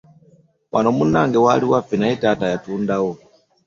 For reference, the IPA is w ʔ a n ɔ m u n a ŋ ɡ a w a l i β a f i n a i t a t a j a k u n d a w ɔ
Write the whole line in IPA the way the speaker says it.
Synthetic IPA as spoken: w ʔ a n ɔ m u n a ŋ ɡ ɛ w a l i w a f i n a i t a t a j a t u n d a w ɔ